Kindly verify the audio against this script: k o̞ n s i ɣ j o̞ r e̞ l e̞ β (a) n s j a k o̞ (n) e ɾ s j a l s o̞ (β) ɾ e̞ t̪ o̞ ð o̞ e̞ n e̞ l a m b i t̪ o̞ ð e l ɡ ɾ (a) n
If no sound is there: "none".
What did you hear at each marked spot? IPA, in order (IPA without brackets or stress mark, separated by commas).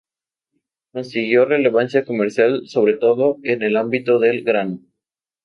a, m, β, a